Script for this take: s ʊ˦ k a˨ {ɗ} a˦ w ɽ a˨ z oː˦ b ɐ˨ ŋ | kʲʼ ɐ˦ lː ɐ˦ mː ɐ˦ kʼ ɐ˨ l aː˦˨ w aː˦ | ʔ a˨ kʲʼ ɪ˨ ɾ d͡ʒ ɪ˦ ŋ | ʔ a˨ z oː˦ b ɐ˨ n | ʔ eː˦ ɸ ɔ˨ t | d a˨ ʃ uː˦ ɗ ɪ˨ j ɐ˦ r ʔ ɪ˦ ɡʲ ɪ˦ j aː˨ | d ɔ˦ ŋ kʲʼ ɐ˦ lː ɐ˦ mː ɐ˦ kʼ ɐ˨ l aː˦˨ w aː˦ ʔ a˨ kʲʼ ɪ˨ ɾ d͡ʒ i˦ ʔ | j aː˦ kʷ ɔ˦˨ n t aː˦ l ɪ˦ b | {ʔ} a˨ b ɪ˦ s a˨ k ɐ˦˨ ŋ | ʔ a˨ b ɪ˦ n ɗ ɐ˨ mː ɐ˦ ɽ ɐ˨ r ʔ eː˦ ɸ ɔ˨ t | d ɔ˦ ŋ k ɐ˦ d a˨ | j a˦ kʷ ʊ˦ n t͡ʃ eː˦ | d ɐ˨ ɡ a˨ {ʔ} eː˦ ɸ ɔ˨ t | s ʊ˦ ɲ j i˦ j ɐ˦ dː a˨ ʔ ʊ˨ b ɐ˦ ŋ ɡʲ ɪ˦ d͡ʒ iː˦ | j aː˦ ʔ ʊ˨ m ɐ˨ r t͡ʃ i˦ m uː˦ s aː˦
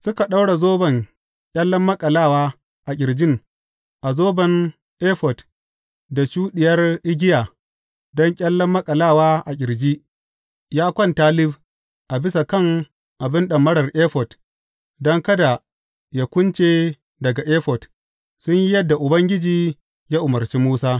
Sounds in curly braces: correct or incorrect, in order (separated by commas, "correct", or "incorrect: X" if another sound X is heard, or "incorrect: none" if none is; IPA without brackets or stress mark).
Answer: correct, correct, correct